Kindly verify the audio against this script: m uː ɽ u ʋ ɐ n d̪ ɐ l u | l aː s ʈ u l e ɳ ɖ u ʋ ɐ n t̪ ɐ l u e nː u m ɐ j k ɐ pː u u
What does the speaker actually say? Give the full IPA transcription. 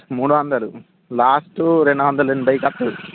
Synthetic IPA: m uː ɽ u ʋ ɐ n d̪ ɐ l u | l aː s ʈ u ɾ e ɳ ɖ u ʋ ɐ n d̪ ɐ l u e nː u b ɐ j k ɐ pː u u